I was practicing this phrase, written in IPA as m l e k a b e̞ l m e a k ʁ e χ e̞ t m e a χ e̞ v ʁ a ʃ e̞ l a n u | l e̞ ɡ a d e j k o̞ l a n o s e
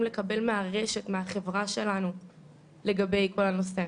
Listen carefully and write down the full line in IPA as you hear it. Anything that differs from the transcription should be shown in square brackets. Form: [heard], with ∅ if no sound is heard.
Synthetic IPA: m l e k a b e̞ l m e a [∅] ʁ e [ʃ] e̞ t m e a χ e̞ v ʁ a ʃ e̞ l a n u | l e̞ ɡ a [b] e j k o̞ l a n o s e